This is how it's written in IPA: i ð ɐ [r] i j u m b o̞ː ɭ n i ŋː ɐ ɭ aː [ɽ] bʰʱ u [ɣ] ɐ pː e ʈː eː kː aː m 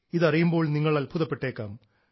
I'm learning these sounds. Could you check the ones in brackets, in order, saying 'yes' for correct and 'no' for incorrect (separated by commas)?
yes, no, no